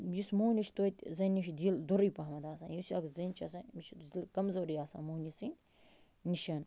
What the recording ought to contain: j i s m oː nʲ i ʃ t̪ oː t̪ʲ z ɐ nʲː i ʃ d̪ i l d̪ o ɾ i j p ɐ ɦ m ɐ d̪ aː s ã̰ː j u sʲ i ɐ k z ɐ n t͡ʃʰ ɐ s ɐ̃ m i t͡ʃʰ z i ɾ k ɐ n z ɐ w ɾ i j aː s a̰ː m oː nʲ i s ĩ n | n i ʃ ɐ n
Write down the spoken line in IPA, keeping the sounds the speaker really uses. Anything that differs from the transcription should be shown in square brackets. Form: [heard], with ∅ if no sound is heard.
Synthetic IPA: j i s m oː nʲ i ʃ t̪ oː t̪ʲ z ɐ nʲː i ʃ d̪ i l d̪ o ɾ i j p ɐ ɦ m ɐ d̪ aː s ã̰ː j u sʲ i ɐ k z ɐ n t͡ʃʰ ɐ s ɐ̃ m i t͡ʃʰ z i [l] k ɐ [m] z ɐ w ɾ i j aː s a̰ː m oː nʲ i s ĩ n | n i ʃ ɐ n